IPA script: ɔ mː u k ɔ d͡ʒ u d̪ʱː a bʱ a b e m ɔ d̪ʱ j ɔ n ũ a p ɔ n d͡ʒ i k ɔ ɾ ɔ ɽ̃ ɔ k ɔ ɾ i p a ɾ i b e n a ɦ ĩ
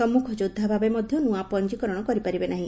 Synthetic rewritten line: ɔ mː u kʰ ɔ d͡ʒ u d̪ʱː a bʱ a b e m ɔ d̪ʱ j ɔ n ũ a p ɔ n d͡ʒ i k ɔ ɾ ɔ ɽ̃ ɔ k ɔ ɾ i p a ɾ i b e n a ɦ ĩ